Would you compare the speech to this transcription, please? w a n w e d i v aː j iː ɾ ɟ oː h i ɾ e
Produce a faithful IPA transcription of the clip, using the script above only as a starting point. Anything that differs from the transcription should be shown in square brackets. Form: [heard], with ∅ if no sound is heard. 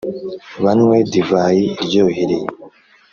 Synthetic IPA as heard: [β] a n w e d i v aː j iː ɾ ɟ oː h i ɾ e